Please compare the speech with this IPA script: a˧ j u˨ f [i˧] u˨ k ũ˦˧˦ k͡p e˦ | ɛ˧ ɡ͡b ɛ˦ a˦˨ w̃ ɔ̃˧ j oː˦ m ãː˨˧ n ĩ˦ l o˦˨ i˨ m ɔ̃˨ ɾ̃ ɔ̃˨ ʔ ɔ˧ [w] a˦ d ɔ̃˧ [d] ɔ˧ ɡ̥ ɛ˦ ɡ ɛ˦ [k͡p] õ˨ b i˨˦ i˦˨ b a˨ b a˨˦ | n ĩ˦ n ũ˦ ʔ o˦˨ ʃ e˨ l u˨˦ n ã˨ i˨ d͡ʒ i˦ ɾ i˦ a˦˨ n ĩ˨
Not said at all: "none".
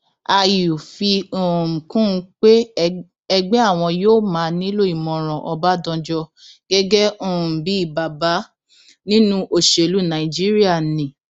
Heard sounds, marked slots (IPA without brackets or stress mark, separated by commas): i˧, b, d͡ʒ, none